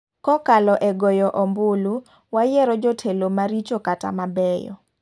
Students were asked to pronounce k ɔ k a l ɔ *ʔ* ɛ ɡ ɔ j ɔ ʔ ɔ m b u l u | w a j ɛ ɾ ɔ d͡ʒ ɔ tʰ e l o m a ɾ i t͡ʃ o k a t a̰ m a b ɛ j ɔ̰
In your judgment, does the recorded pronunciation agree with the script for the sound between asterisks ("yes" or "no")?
yes